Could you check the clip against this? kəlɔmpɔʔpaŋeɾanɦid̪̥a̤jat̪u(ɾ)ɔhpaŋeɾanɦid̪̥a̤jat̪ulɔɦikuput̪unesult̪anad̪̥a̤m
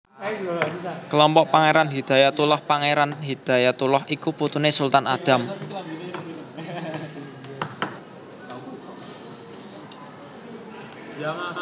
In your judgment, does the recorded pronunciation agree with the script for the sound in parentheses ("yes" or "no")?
no